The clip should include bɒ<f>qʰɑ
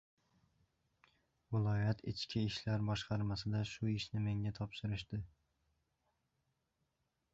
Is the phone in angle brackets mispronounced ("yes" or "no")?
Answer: yes